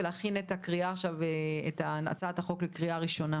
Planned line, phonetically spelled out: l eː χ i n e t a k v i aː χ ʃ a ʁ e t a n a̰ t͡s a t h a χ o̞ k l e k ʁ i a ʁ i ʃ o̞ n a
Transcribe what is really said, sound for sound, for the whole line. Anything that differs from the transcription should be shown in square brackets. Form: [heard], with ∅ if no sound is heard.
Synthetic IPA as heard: l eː χ i n e t a k [ʁ] i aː χ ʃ a [v] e t a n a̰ t͡s a t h a χ o̞ k l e k ʁ i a ʁ i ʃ o̞ n a